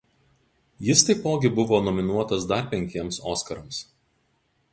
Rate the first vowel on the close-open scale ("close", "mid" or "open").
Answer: close